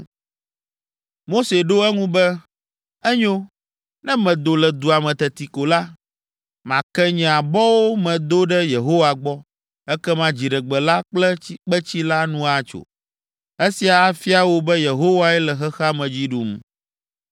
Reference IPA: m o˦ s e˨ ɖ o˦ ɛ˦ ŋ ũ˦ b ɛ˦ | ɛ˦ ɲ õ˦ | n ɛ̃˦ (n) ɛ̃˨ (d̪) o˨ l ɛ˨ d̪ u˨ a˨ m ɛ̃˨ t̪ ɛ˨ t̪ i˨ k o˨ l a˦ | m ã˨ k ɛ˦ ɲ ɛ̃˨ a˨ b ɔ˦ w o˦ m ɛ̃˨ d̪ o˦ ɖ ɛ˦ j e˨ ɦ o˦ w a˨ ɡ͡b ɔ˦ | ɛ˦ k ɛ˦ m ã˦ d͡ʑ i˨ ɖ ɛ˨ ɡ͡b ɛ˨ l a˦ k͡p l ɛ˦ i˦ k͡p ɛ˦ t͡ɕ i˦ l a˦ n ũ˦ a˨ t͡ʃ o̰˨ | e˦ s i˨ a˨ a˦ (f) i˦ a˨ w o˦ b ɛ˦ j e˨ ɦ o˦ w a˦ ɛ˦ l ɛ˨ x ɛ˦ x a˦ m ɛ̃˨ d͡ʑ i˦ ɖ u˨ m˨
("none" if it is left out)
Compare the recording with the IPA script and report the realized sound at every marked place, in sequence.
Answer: m, d̪, f

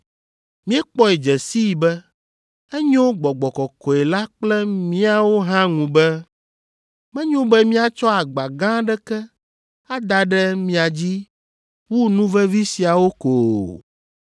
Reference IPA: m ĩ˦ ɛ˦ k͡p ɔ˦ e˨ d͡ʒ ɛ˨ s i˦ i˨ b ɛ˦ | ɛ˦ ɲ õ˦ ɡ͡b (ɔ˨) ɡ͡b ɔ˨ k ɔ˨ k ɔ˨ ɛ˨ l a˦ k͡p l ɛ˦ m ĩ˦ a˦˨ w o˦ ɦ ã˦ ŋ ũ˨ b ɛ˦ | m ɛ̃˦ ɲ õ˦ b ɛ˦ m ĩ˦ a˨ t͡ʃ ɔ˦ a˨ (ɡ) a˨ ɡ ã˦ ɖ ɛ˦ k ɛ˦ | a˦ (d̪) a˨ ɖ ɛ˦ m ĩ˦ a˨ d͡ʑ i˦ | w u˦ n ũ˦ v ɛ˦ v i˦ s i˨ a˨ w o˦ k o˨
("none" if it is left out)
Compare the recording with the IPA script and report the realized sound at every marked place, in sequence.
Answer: ɔ˨, ɡ͡b, d̪

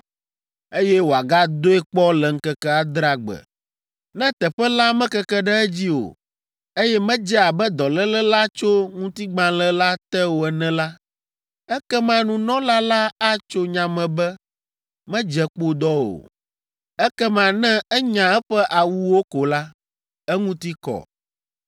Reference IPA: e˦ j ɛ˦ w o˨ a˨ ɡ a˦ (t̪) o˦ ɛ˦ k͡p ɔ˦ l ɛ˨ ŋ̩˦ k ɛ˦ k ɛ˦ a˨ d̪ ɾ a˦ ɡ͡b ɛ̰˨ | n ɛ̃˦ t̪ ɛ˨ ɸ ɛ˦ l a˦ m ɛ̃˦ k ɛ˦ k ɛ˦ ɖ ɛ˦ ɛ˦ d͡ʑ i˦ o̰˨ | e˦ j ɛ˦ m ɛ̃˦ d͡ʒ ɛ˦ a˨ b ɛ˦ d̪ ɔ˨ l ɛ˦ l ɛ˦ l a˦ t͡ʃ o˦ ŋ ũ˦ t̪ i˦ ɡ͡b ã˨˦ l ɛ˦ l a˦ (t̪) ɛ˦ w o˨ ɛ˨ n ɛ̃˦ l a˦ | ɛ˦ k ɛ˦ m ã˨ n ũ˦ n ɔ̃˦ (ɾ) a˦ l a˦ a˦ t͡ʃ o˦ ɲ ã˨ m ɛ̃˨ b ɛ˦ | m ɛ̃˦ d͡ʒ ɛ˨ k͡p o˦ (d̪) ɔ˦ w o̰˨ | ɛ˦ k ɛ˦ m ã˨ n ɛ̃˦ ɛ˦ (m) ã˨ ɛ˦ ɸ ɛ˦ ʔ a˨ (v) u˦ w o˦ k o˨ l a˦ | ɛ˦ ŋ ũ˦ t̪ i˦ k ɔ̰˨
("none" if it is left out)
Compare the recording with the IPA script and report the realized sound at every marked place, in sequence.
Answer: d̪, t̪, l, d̪, ɲ, w

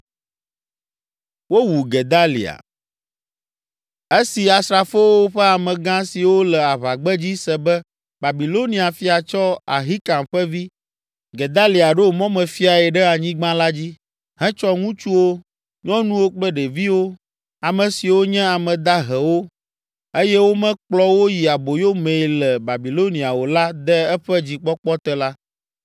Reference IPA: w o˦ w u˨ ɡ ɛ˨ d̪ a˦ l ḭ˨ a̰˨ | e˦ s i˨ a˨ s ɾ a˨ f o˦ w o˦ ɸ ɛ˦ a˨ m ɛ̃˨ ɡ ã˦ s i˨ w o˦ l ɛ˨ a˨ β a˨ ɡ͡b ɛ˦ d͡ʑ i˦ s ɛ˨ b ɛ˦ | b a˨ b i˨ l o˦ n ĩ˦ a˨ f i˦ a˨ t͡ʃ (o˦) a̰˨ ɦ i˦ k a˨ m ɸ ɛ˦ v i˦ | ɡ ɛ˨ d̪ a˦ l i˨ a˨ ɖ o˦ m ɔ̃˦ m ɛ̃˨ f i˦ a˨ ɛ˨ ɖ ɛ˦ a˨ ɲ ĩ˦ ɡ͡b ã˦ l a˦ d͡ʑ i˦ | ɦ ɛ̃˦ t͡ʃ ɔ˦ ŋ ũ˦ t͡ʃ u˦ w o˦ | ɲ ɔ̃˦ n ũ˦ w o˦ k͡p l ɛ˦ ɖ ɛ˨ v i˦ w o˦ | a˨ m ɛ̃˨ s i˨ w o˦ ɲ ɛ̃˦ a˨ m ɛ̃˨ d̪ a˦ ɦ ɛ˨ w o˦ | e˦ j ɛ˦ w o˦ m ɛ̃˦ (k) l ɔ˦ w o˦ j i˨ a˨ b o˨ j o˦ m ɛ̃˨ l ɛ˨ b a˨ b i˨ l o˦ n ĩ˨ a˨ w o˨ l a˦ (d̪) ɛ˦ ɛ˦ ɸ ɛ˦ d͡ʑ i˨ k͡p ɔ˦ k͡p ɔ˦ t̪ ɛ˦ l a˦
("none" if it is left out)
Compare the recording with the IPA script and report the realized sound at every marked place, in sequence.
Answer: ɔ˦, k͡p, d̪

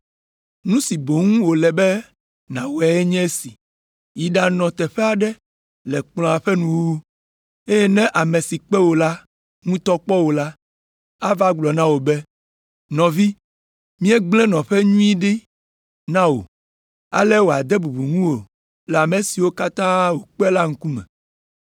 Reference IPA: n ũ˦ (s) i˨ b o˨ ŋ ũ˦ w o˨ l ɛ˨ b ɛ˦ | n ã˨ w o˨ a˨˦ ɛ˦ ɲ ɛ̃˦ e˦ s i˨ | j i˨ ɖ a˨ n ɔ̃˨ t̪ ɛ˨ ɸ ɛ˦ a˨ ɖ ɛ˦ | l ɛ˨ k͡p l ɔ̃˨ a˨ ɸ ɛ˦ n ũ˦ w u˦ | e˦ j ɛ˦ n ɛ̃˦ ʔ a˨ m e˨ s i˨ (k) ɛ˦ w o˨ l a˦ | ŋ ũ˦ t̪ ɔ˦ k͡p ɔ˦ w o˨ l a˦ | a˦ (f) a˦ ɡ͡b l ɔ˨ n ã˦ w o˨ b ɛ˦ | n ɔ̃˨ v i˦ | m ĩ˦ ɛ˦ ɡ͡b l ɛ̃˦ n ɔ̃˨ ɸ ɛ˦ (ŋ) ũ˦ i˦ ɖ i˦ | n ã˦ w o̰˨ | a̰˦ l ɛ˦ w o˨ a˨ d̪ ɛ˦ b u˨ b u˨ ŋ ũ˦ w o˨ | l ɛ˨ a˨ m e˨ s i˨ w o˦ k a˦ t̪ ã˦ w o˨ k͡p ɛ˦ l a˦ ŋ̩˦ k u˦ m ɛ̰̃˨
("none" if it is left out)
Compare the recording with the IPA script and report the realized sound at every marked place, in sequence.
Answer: s, k͡p, v, ɲ

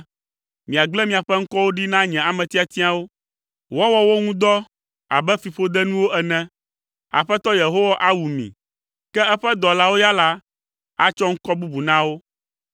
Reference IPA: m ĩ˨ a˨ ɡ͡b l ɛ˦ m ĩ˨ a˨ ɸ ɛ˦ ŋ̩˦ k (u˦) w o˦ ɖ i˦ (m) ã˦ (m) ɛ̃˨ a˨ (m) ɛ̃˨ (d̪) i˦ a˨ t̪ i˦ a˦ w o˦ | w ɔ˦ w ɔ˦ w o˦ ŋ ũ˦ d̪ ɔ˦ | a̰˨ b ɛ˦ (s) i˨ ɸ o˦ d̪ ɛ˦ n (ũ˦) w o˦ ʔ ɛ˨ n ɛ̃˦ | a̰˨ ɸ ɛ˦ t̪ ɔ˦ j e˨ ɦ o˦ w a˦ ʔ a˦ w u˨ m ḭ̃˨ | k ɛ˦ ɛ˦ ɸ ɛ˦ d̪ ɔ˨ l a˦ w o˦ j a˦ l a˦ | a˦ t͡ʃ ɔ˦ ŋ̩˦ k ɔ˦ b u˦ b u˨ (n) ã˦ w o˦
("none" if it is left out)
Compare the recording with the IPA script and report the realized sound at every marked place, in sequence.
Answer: ɔ˦, n, ɲ, m, t̪, f, ũ˦, n

